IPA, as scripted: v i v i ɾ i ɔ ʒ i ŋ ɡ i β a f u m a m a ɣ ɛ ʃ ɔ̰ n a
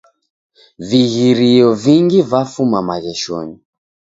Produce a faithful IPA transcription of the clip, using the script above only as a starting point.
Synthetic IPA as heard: v i ɣ i ɾ i ɔ v i ŋ ɡ i v a f u m a m a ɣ ɛ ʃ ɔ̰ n i